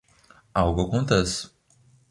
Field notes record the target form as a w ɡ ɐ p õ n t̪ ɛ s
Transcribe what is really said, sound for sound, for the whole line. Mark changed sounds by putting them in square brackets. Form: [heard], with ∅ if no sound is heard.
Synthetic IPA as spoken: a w ɡ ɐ [k] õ n t̪ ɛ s